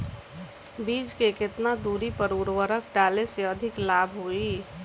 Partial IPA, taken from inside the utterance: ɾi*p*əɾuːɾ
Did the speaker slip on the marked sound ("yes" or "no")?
no